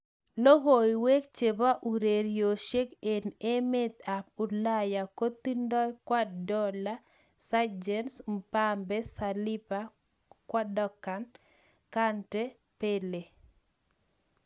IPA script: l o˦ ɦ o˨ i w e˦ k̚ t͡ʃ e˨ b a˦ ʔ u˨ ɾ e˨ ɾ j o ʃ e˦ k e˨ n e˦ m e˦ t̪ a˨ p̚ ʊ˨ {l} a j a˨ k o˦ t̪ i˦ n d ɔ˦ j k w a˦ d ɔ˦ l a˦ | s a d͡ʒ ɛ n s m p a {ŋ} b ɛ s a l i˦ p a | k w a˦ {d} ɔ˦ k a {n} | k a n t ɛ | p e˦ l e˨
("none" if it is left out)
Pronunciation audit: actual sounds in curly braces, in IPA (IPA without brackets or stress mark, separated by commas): l, m, d, n